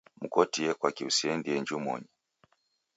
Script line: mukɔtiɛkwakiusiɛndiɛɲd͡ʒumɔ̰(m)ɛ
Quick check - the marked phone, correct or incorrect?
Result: incorrect